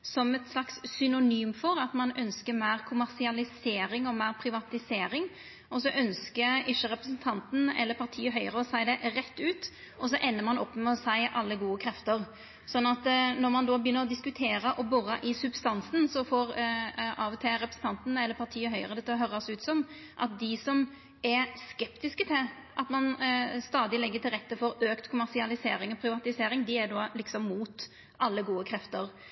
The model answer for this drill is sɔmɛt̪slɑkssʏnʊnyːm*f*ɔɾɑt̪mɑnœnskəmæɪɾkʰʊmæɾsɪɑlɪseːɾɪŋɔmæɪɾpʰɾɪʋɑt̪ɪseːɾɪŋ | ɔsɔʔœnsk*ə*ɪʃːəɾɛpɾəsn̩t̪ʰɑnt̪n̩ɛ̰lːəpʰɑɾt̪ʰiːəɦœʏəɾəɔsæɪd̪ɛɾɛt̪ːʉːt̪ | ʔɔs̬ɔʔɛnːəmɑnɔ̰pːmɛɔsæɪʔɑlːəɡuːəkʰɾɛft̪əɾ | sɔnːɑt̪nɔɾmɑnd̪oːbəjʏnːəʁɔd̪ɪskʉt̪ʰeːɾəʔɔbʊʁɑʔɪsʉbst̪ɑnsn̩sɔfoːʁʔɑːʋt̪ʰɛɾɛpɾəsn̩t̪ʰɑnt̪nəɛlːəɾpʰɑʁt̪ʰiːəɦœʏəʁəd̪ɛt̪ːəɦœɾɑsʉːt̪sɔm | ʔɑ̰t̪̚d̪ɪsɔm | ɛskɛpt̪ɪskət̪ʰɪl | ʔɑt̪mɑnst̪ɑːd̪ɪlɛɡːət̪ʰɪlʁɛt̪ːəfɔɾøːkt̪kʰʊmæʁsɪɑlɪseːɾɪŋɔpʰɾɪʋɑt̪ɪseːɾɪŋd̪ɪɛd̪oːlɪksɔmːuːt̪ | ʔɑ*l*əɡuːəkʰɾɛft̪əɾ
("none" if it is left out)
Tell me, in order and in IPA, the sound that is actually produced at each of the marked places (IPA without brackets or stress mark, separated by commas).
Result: f, ə, lː